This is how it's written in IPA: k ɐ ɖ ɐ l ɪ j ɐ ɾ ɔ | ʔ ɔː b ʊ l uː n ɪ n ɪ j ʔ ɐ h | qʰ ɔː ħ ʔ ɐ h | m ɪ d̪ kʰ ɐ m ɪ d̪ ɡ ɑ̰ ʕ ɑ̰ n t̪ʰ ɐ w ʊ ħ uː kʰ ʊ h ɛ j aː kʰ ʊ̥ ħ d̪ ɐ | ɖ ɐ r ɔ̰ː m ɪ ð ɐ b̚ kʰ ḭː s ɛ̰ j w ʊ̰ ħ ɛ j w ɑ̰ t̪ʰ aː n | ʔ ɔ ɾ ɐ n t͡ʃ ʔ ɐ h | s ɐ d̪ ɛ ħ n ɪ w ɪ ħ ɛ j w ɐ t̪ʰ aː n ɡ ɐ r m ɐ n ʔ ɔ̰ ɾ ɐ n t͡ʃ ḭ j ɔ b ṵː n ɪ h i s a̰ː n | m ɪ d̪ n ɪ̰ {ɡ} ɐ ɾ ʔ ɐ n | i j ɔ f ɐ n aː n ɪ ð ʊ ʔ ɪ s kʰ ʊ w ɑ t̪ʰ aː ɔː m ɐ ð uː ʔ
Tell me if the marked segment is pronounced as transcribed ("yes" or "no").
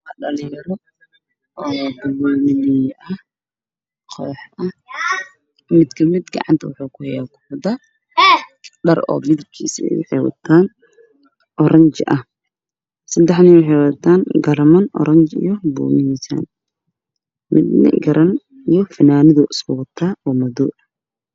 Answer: yes